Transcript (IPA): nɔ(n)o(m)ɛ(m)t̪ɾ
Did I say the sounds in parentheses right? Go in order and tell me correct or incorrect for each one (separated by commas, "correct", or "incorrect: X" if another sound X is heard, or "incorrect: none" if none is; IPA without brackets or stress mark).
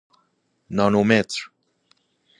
correct, correct, incorrect: none